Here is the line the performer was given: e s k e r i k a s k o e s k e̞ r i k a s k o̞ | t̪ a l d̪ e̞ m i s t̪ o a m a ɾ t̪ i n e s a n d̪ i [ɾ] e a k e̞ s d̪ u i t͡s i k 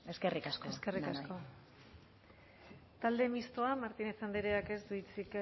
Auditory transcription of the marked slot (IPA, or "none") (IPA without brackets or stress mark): ɾ